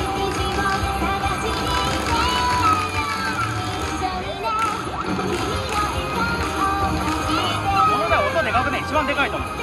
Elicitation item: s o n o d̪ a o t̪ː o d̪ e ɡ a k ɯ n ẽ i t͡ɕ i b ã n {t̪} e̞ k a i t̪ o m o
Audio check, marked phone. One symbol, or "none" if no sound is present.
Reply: d̪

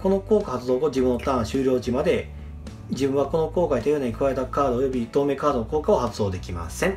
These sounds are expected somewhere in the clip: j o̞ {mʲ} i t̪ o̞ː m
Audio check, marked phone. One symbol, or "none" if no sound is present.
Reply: bʲ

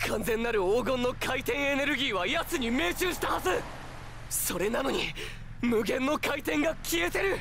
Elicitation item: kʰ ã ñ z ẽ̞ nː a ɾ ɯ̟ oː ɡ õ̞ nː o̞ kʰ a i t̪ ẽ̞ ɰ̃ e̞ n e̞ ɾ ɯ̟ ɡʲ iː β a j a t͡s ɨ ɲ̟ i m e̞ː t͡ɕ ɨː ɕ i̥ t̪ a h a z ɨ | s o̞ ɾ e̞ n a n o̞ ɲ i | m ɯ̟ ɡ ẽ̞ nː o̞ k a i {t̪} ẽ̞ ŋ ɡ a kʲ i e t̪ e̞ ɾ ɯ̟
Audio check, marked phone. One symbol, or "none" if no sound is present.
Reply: t̪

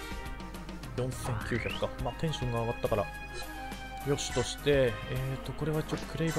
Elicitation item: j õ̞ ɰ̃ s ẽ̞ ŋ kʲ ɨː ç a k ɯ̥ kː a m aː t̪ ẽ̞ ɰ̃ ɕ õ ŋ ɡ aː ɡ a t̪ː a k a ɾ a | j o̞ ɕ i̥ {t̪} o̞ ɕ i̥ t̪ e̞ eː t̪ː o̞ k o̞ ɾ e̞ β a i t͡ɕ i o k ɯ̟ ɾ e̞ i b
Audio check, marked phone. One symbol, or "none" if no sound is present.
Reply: t̪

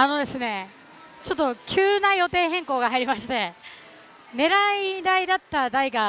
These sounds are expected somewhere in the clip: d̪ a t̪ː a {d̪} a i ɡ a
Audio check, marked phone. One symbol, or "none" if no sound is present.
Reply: d̪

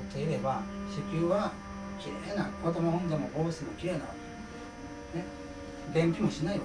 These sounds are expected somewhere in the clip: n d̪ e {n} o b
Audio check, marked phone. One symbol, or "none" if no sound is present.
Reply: m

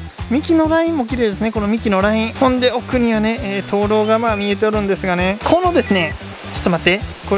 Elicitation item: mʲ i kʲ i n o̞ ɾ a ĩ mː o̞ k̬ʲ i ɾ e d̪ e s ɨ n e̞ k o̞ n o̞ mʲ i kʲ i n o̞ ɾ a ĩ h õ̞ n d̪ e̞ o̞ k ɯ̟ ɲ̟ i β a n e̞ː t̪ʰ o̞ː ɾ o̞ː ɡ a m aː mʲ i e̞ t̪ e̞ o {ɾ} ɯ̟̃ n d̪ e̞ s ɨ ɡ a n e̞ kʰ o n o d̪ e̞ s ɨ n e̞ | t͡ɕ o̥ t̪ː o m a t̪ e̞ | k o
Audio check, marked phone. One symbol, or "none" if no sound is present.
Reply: ɾ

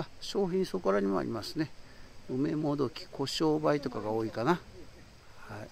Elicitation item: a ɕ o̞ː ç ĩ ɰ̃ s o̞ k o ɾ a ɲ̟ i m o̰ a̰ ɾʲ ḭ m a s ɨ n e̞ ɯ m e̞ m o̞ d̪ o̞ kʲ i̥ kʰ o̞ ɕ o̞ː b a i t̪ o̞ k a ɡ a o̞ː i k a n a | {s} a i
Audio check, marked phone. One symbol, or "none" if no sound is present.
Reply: h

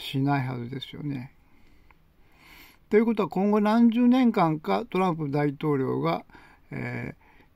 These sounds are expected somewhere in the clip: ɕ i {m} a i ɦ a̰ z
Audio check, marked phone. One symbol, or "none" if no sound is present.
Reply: n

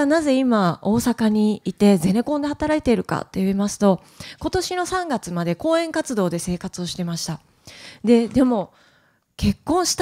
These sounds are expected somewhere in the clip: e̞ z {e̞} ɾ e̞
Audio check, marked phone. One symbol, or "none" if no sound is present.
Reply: e̞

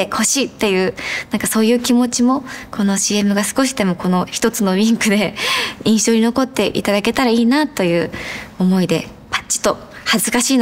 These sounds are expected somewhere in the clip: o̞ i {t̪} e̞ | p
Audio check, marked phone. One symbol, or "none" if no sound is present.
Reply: d̪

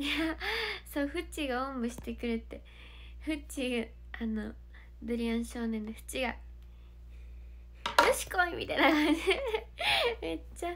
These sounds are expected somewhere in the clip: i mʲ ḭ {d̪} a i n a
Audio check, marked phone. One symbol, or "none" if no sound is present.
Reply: t̪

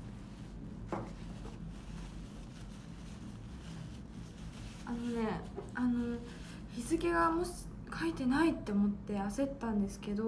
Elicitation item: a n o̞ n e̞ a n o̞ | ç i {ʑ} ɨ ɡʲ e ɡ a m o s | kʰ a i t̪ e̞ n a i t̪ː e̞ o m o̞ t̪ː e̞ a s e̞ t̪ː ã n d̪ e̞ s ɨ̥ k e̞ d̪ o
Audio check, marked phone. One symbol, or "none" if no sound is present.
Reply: z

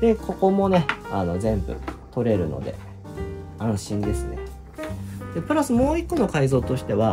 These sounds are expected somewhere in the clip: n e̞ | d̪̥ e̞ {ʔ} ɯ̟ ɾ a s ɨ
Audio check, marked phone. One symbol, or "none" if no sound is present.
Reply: p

